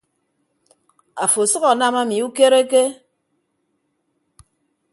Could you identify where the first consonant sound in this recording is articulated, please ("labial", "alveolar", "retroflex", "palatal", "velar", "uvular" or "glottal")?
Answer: labial